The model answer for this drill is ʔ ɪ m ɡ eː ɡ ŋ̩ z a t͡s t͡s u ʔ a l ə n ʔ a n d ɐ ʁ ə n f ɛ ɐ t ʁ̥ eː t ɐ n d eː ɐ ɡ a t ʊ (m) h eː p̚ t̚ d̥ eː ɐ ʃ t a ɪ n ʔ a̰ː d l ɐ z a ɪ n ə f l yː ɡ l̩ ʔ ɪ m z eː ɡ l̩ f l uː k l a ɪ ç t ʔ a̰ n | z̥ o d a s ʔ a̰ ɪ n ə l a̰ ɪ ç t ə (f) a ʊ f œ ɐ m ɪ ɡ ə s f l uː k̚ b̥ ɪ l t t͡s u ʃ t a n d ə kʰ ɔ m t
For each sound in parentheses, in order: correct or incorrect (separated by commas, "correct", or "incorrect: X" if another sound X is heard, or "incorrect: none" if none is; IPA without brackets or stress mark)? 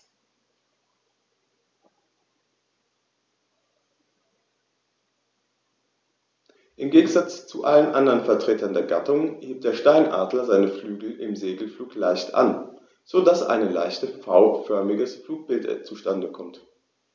incorrect: ŋ, correct